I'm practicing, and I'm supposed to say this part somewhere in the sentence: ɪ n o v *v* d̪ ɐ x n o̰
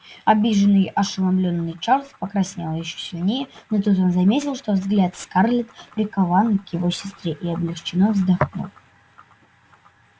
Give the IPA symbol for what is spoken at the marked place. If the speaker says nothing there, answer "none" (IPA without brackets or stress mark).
z